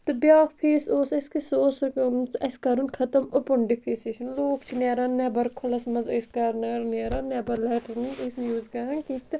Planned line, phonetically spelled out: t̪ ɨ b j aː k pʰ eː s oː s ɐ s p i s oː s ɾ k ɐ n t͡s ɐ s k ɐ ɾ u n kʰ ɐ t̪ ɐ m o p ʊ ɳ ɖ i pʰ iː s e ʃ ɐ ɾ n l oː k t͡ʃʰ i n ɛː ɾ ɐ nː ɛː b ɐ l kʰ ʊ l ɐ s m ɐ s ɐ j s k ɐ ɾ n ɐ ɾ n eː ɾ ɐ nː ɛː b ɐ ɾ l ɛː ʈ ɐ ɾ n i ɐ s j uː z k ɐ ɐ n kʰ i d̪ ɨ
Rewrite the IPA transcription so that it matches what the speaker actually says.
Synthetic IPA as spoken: t̪ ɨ b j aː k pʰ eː s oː s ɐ s k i s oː s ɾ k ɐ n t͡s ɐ s k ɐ ɾ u n kʰ ɐ t̪ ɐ m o p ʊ ɳ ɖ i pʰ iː s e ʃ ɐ n l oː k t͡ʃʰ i n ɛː ɾ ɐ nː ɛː b ɐ ɾ kʰ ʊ l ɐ s m ɐ z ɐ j s k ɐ ɾ n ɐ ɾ n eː ɾ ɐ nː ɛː b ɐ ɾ l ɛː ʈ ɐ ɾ n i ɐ s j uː z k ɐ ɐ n k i t̪ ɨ